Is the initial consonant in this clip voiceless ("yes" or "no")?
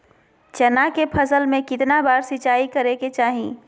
yes